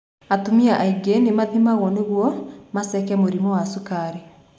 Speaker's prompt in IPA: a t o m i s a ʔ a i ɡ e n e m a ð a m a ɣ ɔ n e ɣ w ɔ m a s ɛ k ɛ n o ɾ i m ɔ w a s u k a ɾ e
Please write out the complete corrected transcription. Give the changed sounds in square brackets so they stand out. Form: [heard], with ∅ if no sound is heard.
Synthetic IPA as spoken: a t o m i [∅] a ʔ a i ɡ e n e m a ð [i] m a ɣ ɔ n e ɣ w ɔ m a s ɛ k ɛ [m] o ɾ i m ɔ w a s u k a ɾ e